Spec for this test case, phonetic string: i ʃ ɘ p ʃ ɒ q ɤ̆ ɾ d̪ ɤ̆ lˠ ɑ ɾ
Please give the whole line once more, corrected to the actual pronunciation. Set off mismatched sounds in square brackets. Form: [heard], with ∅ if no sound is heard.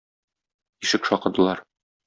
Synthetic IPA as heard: i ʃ ɘ [k] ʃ ɒ q ɤ̆ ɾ d̪ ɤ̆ lˠ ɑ ɾ